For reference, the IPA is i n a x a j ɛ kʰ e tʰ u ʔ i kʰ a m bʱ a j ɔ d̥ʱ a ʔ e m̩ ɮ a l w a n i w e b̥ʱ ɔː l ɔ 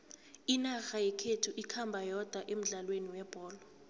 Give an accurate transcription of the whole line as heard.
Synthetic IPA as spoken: i n a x a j ɛ kʰ e tʰ u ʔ i kʰ a m bʱ a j ɔ d̥ʱ a ʔ e m̩ ɮ a l w e n i w ɛ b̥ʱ ɔː l ɔ